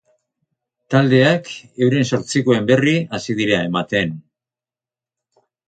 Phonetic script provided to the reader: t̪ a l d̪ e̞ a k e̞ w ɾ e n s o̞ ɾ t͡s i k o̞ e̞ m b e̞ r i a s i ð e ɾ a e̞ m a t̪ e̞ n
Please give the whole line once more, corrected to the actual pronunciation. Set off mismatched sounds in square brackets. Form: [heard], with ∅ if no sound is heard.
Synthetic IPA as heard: t̪ a l d̪ e̞ a k e̞ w ɾ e n s o̞ ɾ t͡s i k o̞ e̞ m b e̞ r i a s i ð [i] ɾ a e̞ m a t̪ e̞ n